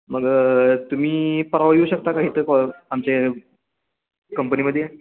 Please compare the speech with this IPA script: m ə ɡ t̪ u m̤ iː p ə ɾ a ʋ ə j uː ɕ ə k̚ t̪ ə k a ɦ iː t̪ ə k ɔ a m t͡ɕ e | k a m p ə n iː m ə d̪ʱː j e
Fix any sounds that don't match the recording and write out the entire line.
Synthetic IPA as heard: m ə ɡ t̪ u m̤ iː p ə ɾ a ʋ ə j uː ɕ ə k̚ t̪ a k a ɦ iː t̪ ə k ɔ a m t͡ɕ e | k ə m p ə n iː m ə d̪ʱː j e